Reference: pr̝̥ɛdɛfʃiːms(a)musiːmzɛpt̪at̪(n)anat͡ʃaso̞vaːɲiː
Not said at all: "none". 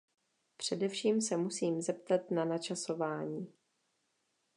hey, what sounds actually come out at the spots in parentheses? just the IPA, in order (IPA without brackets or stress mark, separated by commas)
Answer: ɛ, n